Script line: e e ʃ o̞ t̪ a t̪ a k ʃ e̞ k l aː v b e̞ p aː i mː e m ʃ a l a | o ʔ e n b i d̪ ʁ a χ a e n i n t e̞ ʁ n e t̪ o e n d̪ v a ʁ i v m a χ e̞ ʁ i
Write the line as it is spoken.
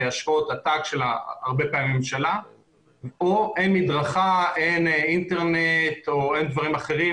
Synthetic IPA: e a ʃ o̞ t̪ a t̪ a k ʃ e̞ l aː ʁ b e̞ p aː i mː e m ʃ a l a | o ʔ e n m i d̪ ʁ a χ a e n i n t e̞ ʁ n e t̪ o e n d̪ v a ʁ i m a χ e̞ ʁ i